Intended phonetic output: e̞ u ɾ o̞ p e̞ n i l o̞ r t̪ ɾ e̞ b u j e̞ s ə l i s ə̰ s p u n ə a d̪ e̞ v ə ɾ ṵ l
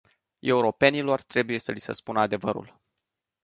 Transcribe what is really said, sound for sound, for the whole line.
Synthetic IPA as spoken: e̞ u ɾ o̞ p e̞ n i l o̞ r t̪ ɾ e̞ b u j e̞ s ə l i s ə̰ s p u n ə a d̪ e̞ v ə ɾ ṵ l